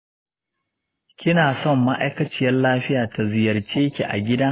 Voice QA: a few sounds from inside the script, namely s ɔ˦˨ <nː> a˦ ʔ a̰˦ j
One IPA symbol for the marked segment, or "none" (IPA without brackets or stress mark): mː